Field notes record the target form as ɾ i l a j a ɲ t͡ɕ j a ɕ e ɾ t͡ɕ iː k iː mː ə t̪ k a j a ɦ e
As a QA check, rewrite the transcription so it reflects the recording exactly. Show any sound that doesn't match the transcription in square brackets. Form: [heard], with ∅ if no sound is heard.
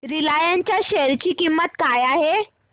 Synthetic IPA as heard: ɾ i l a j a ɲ t͡ɕ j a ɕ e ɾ t͡ɕ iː k [i] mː ə t̪ k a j a ɦ e